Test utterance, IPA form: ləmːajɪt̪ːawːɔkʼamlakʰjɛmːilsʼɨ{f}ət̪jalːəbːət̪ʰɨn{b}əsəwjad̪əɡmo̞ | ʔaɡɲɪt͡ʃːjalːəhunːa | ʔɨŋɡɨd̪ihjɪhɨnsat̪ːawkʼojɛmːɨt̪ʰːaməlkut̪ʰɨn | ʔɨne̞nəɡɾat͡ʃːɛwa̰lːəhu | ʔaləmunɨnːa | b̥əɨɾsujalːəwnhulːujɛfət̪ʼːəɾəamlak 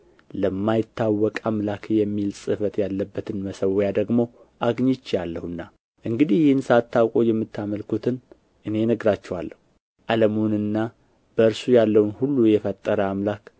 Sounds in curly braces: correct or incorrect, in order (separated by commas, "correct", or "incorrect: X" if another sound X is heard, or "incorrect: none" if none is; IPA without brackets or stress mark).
correct, incorrect: m